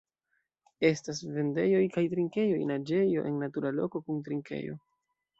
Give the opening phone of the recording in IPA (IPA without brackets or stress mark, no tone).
e̞